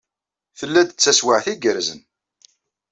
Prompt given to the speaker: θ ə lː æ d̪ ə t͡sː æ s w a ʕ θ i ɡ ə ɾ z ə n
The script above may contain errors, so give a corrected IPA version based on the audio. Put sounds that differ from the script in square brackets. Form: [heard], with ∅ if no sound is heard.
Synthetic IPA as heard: θ ə lː æ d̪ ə t͡sː æ s w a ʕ θ i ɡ ə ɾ z ə n